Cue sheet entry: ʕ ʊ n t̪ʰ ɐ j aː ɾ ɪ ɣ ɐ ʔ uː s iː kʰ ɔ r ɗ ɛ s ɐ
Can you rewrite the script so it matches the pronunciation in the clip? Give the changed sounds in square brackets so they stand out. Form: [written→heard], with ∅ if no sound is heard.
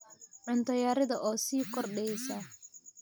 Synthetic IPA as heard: ʕ ʊ n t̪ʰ ɐ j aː ɾ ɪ [ɣ→ð] ɐ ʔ [uː→ɔː] s iː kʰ ɔ r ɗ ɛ s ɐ